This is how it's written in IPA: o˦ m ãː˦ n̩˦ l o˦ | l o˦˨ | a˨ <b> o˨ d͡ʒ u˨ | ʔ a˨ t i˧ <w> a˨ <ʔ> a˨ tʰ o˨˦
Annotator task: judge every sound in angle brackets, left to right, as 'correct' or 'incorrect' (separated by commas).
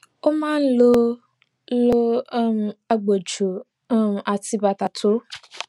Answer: incorrect, incorrect, incorrect